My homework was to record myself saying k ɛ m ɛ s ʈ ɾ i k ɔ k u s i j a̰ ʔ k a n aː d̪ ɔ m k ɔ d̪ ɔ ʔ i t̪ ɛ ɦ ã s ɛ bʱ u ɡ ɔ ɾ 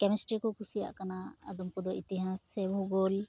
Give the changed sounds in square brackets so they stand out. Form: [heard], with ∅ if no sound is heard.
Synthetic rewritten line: k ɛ m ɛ s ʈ ɾ i k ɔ k u s i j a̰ ʔ k a n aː d̪ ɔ m k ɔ d̪ ɔ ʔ i t̪ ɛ ɦ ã s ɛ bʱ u ɡ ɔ [l]